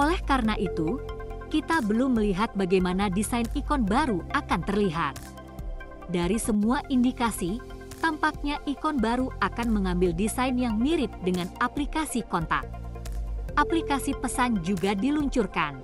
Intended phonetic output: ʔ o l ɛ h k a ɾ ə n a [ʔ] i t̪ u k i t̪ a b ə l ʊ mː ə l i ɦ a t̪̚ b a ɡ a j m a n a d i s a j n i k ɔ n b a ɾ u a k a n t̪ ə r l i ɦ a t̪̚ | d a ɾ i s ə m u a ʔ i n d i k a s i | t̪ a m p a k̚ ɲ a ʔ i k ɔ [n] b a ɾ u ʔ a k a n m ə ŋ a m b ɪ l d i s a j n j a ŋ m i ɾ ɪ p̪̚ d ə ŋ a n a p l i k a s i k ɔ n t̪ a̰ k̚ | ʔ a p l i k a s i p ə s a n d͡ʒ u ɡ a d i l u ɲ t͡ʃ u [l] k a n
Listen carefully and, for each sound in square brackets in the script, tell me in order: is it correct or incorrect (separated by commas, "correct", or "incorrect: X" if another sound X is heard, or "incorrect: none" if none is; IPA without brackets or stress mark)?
correct, correct, incorrect: r